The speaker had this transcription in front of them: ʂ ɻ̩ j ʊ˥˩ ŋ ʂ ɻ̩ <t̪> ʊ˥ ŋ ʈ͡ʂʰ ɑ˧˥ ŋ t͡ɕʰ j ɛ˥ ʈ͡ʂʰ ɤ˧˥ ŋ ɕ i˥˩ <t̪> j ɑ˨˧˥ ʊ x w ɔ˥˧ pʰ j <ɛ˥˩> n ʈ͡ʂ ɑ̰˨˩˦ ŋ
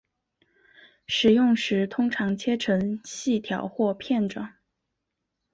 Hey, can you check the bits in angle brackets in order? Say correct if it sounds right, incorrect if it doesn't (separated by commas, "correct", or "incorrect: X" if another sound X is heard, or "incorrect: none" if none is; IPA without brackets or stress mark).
incorrect: t̪ʰ, incorrect: t̪ʰ, correct